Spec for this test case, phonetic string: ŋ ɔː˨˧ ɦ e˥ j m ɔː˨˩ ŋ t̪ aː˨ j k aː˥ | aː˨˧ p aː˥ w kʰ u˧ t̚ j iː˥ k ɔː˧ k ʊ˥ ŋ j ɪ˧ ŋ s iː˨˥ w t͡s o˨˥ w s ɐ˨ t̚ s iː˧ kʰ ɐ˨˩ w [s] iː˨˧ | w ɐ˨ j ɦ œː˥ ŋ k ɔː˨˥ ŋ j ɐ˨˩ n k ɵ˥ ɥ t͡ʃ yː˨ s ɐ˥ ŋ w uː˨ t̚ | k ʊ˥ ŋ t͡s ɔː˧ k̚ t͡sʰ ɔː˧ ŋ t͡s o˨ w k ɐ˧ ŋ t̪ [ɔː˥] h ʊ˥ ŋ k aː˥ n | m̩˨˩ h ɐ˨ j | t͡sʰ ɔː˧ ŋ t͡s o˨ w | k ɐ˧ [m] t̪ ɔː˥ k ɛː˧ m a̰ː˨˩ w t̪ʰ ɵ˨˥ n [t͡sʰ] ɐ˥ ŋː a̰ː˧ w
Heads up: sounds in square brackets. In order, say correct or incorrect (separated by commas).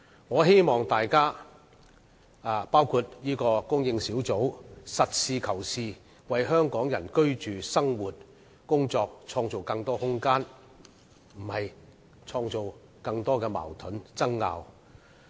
correct, correct, incorrect, incorrect